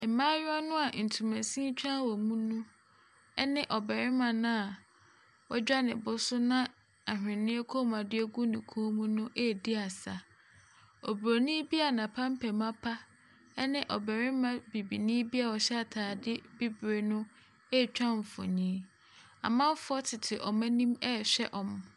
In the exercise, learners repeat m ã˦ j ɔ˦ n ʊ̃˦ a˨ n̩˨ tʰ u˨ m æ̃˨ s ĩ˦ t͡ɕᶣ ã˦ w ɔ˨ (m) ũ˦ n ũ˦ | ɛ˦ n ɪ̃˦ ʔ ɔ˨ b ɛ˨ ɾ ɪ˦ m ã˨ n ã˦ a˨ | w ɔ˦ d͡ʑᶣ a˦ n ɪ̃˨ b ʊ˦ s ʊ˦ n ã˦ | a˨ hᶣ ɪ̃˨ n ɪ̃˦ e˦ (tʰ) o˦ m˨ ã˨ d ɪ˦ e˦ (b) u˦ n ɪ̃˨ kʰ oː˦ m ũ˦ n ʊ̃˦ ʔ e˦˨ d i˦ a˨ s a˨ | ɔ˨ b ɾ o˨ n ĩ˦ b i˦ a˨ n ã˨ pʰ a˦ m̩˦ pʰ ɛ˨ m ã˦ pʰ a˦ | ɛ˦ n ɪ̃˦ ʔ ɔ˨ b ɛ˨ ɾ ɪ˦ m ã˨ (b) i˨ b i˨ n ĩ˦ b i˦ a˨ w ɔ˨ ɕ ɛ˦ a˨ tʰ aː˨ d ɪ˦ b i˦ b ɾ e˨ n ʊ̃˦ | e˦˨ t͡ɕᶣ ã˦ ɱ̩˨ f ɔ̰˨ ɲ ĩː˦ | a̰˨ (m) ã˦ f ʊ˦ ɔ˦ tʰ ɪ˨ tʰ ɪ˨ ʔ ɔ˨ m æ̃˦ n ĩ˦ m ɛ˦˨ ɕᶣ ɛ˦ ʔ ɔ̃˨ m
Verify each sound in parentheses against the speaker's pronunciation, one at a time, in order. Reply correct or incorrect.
correct, incorrect: kʰ, incorrect: ɡ, correct, correct

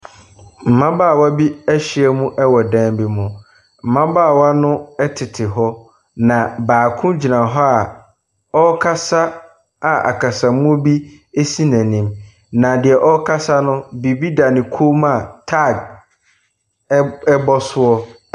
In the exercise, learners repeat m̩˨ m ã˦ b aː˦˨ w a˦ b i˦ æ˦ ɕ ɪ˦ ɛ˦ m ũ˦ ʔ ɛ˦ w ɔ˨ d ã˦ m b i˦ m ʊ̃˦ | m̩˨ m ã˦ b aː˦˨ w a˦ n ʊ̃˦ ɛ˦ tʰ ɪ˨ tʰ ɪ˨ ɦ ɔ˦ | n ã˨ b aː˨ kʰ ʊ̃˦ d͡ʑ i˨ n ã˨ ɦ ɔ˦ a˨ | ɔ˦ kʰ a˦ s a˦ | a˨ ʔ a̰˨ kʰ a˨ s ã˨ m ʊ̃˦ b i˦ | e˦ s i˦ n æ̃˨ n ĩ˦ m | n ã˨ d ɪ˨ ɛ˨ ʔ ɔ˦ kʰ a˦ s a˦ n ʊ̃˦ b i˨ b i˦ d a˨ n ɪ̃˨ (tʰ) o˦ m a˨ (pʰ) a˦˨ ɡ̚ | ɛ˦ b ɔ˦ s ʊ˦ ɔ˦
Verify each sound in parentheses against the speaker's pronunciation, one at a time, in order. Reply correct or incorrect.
incorrect: kʰ, incorrect: tʰ

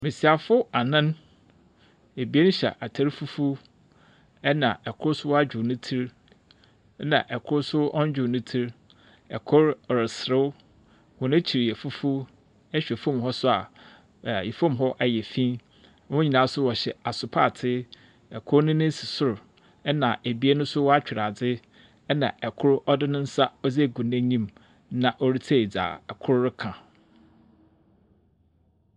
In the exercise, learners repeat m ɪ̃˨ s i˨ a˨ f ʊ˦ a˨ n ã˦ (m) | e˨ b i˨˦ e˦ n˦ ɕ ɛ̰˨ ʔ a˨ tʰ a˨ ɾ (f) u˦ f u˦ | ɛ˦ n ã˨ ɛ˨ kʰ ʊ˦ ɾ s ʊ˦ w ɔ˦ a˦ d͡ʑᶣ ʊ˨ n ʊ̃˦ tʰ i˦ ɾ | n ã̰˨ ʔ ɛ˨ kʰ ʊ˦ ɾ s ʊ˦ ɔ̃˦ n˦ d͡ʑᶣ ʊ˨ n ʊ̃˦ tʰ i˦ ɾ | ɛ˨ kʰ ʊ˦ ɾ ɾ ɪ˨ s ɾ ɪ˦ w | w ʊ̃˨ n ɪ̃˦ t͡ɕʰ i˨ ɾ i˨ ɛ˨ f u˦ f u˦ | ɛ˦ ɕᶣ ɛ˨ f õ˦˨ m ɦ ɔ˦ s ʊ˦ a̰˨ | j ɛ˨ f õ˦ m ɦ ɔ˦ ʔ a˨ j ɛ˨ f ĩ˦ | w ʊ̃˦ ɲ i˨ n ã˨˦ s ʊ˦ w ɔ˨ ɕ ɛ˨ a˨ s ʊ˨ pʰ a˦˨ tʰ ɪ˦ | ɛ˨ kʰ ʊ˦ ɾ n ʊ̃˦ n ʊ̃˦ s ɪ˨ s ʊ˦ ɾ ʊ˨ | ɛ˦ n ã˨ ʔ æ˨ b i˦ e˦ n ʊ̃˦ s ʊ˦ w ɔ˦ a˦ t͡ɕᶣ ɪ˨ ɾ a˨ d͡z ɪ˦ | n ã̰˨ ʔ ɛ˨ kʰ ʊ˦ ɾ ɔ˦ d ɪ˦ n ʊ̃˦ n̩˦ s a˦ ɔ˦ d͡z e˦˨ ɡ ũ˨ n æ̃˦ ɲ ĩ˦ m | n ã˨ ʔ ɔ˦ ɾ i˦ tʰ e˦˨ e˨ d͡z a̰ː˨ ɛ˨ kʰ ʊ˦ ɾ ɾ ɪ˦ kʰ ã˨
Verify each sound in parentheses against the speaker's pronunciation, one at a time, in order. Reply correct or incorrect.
incorrect: n, correct

